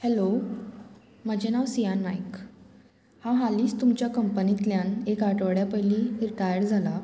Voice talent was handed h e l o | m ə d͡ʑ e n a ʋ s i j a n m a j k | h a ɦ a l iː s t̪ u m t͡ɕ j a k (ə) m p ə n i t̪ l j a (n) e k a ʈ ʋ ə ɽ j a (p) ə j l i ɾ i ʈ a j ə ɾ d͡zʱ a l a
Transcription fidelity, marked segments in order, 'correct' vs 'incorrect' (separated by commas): correct, correct, correct